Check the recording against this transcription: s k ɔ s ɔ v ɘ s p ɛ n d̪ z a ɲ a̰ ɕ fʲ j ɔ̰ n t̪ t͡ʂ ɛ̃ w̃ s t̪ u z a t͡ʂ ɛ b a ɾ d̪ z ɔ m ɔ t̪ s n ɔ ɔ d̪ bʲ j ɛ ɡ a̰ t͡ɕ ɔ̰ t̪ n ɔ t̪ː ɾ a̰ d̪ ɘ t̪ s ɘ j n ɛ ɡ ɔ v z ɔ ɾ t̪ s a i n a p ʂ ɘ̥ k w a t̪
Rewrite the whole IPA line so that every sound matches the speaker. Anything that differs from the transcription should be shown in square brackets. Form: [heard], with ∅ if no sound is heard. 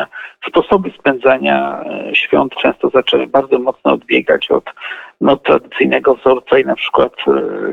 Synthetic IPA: s [p] ɔ s ɔ [b] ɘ s p ɛ n d̪ z a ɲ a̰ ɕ fʲ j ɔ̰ n t̪ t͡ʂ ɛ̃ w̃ s t̪ [ɔ] z a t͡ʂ ɛ b a ɾ d̪ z ɔ m ɔ t̪ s n ɔ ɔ d̪ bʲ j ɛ ɡ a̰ t͡ɕ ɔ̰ t̪ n ɔ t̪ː ɾ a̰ d̪ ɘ t̪ s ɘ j n ɛ ɡ ɔ v z ɔ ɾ t̪ s a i n a p ʂ ɘ̥ k w a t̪